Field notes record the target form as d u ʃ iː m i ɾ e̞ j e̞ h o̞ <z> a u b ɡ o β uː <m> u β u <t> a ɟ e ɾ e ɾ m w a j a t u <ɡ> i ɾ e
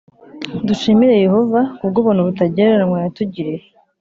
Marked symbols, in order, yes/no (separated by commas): no, no, yes, no